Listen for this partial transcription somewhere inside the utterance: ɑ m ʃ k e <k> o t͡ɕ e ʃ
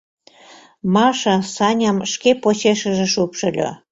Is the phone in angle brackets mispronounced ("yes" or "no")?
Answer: yes